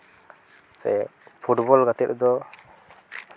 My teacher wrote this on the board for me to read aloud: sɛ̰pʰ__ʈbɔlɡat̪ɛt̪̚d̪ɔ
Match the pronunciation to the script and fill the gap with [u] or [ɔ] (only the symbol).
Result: u